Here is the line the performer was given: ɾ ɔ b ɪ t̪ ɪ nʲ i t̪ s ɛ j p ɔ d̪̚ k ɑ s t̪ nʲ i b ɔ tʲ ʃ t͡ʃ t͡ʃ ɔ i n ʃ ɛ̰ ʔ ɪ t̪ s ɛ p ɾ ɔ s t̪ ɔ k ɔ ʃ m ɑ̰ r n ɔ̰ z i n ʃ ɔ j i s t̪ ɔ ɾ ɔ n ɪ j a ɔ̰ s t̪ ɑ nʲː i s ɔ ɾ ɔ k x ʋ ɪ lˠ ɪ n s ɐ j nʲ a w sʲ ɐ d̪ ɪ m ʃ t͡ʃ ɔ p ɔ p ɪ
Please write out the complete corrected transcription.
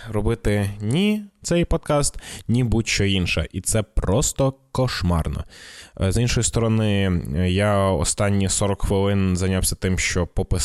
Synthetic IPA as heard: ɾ ɔ b ɪ t̪ ɪ nʲ i t̪ s ɛ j p ɔ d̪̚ k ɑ s t̪ nʲ i b u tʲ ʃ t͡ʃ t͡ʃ ɔ i n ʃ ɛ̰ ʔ i t̪ s ɛ p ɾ ɔ s t̪ ɔ k ɔ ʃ m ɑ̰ r n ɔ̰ z i n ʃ ɔ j i s t̪ ɔ ɾ ɔ n ɪ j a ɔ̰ s t̪ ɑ nʲː i s ɔ ɾ ɔ k x ʋ ɪ lˠ ɪ n z ɐ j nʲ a w sʲ ɐ t̪ ɪ m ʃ t͡ʃ ɔ p ɔ p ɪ